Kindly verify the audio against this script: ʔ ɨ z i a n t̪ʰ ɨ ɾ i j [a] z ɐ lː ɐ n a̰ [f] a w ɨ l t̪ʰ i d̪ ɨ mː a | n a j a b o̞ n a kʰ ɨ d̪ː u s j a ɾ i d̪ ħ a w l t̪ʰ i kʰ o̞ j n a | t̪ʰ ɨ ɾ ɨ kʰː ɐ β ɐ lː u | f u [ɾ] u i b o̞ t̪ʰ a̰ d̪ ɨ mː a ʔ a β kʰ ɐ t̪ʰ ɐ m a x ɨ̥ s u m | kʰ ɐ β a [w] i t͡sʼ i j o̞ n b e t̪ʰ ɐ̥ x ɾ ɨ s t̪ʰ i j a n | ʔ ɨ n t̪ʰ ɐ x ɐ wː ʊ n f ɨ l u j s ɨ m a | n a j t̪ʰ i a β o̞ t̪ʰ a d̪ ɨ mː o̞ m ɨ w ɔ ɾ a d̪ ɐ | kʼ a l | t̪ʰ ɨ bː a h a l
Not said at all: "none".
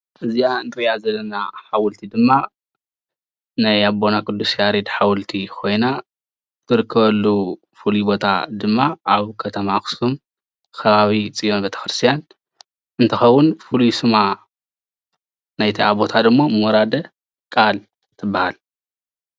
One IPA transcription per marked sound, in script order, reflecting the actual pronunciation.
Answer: a, ħ, l, β

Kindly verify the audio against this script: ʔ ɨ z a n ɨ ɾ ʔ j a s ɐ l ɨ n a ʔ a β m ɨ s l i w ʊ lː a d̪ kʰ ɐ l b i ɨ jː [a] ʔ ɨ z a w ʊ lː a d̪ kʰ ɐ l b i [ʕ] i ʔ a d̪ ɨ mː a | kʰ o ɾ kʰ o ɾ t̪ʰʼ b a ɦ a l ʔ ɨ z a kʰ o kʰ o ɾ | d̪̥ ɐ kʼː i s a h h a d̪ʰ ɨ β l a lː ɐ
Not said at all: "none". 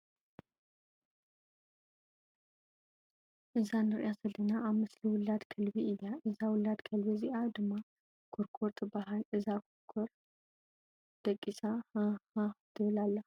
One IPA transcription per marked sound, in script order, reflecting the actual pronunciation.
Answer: a, z

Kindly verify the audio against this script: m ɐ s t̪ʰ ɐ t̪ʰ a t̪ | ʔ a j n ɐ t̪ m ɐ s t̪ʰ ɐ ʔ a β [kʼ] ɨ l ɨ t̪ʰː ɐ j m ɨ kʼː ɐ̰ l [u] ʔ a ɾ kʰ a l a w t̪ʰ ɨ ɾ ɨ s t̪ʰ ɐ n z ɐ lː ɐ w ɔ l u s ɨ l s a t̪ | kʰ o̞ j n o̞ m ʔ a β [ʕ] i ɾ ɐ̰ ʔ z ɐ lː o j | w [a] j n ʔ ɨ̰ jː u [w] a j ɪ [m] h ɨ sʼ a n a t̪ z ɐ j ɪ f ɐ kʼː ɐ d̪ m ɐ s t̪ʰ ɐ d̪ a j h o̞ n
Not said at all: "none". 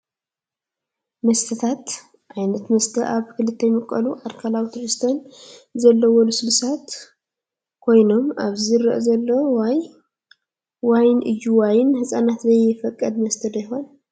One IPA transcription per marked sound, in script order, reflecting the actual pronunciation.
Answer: k, u, z, a, w, n

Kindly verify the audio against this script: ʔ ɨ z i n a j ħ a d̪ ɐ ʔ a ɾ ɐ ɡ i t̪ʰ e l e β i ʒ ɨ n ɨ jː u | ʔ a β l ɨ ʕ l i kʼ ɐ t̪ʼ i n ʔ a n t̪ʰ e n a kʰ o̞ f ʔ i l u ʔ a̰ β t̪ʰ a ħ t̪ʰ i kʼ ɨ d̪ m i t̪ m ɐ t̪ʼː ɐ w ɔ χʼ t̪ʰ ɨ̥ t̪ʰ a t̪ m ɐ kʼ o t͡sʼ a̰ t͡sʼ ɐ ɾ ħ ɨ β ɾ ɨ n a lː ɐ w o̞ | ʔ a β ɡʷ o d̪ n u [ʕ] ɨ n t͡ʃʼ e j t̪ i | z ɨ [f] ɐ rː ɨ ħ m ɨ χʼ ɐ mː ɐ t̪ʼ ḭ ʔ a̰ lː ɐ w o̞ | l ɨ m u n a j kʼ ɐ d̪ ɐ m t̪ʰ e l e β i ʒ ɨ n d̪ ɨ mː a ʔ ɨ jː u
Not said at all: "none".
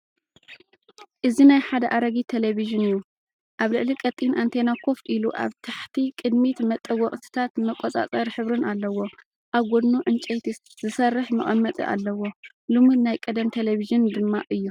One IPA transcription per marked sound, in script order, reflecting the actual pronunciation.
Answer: ʕ, s

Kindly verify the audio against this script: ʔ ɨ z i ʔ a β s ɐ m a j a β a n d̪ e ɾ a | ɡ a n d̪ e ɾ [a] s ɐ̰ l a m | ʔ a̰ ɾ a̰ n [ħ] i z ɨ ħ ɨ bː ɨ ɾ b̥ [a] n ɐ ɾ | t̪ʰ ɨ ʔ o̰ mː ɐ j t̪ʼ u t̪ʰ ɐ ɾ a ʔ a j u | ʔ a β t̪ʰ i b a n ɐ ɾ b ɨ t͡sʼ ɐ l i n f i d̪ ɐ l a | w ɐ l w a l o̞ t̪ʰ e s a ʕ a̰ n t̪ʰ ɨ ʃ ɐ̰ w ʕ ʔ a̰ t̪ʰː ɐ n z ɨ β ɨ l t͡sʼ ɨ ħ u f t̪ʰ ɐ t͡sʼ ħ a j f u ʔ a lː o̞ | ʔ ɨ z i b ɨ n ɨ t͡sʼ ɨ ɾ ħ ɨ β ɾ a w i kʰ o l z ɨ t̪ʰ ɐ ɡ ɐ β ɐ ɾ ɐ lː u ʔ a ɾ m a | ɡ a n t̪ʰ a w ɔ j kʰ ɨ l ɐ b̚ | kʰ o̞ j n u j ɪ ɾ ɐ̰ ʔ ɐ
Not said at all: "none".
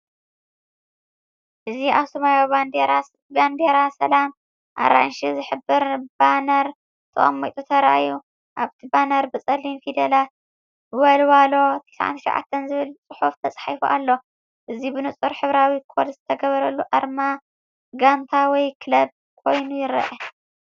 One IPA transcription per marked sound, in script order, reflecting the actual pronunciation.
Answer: a, ʃ, a

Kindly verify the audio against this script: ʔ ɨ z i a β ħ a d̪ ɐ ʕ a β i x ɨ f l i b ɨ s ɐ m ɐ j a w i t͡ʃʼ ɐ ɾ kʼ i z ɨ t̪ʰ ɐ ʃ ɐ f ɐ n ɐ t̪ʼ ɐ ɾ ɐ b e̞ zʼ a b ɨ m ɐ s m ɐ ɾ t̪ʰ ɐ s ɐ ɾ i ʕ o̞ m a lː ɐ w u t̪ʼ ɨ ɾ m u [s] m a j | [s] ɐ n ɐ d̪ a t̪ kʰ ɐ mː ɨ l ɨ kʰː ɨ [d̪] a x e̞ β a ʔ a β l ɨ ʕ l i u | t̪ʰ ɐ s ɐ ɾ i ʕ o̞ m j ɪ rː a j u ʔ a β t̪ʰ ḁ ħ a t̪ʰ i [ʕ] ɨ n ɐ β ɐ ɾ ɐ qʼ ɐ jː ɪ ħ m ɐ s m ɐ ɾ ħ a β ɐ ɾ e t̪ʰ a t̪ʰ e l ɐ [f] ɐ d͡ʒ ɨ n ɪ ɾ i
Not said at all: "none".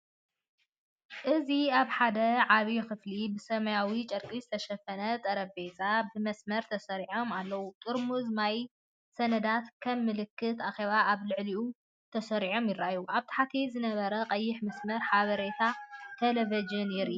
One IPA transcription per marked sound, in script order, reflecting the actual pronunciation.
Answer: z, s, t̪, z, v

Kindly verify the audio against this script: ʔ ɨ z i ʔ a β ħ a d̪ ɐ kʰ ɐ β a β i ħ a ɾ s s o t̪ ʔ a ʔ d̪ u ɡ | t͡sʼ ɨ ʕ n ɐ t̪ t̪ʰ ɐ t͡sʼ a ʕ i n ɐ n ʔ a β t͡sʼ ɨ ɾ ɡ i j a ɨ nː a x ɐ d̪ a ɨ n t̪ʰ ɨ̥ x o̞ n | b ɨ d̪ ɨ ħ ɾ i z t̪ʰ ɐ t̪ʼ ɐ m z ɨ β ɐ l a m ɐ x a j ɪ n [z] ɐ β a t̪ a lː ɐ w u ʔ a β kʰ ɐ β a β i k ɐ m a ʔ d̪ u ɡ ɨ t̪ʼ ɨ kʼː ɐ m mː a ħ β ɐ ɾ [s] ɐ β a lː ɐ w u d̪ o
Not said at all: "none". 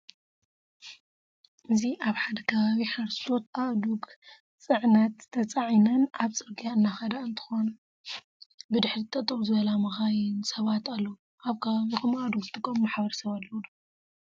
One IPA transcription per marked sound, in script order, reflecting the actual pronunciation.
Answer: s, s

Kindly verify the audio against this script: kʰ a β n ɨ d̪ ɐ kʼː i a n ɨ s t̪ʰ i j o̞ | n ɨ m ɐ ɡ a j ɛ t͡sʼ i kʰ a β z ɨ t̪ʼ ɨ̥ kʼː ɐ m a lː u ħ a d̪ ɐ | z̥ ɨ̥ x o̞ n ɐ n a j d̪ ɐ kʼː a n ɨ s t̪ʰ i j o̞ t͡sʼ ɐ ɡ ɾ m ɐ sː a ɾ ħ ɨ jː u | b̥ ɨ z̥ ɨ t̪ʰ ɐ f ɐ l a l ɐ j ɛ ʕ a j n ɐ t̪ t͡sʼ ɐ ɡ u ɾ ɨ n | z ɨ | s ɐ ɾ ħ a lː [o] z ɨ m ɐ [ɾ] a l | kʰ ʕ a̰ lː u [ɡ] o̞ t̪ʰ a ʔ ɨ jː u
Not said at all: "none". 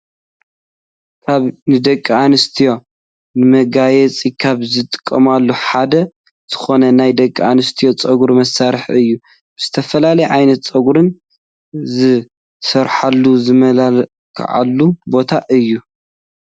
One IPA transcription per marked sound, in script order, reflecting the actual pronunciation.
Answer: u, l, b

